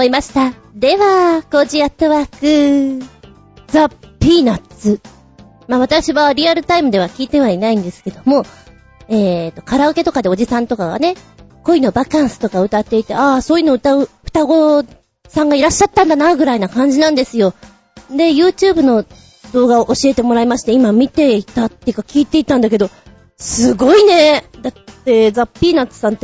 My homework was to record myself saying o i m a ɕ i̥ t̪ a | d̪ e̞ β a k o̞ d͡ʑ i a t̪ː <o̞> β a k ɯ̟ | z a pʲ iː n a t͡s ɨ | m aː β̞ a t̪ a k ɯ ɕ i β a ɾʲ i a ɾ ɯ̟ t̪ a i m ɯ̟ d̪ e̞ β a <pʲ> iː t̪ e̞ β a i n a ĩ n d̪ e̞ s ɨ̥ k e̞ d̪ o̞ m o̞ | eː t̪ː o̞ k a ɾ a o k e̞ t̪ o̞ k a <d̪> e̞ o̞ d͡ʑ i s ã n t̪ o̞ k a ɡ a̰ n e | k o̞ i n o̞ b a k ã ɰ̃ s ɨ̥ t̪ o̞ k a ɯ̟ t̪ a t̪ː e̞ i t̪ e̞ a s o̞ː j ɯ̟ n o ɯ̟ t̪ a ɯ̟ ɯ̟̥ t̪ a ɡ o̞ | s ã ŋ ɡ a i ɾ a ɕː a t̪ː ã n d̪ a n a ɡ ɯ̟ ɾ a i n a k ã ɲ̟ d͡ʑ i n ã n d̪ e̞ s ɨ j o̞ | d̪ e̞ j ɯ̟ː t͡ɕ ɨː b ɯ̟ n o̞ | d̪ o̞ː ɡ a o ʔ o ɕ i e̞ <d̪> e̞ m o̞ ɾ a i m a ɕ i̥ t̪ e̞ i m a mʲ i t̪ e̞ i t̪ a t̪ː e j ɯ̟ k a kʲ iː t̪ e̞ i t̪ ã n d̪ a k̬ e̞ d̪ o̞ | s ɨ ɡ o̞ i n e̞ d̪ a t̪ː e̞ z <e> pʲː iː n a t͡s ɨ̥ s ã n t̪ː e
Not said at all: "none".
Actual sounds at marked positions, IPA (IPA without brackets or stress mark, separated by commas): o̞, kʲ, d̪, t̪, a